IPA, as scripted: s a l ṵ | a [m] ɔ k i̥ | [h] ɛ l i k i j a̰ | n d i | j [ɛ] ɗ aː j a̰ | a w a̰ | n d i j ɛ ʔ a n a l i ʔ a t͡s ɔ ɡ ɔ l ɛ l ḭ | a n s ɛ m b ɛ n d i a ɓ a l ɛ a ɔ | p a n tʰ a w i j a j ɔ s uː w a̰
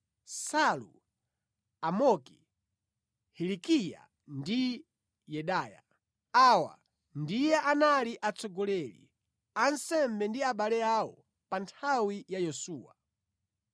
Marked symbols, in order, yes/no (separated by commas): yes, yes, yes